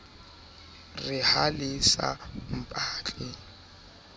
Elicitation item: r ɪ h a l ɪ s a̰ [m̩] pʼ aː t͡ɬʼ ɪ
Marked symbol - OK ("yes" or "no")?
yes